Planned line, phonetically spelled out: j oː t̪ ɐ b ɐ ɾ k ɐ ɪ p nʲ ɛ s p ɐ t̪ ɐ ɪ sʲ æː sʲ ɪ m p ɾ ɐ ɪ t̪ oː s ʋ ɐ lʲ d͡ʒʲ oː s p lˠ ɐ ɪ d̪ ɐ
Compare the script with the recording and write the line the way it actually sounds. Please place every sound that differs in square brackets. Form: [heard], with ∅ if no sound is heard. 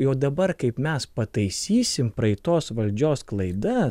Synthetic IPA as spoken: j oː [d̪] ɐ b ɐ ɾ k ɐ ɪ p [mʲ] ɛ s p ɐ t̪ ɐ ɪ sʲ [iː] sʲ ɪ m p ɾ ɐ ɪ t̪ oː s ʋ ɐ lʲ d͡ʒʲ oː s [k] lˠ ɐ ɪ d̪ ɐ